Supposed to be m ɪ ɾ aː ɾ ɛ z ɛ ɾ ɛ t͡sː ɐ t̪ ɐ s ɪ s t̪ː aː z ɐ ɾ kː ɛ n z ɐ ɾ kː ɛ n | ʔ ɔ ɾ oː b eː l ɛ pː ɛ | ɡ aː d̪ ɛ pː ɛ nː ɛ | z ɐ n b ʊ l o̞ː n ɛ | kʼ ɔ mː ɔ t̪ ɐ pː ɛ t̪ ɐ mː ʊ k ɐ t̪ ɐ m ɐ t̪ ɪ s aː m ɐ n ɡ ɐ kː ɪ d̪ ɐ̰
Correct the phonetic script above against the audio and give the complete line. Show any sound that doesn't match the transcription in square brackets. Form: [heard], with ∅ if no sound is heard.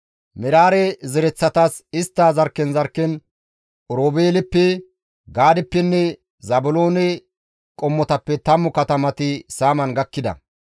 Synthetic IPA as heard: m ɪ ɾ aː ɾ ɛ z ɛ ɾ ɛ t͡sː ɐ t̪ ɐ s ɪ s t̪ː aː z ɐ ɾ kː ɛ n z ɐ ɾ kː ɛ n | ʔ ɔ ɾ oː b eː l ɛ pː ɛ | ɡ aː d̪ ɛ pː ɛ nː ɛ | z ɐ [∅] b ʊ l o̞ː n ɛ | kʼ ɔ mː ɔ t̪ ɐ pː ɛ t̪ ɐ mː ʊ k ɐ t̪ ɐ m ɐ t̪ ɪ s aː m ɐ n ɡ ɐ kː ɪ d̪ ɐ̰